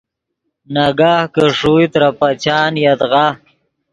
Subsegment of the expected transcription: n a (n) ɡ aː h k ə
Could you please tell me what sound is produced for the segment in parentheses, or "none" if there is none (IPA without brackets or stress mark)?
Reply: none